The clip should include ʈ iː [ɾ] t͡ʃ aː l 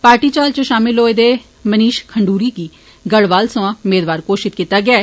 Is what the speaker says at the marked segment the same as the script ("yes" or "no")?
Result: no